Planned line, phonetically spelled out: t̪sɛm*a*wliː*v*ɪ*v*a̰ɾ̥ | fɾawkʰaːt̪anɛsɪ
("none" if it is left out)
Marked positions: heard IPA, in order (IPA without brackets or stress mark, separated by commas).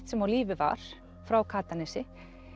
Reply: a, v, v